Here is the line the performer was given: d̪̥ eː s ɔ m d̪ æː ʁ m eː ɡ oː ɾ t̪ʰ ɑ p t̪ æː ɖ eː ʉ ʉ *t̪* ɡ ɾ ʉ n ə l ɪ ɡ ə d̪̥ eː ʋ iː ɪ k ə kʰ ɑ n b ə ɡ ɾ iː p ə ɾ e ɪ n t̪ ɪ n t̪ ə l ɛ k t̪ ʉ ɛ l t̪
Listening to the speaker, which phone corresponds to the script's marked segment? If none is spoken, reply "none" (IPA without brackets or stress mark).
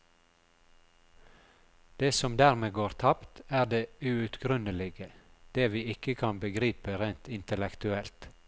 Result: t̪